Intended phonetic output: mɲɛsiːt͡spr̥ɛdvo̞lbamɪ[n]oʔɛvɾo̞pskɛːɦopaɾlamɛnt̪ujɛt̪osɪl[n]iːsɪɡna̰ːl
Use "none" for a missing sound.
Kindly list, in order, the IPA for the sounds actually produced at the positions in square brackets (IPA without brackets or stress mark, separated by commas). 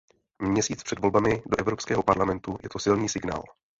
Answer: d, n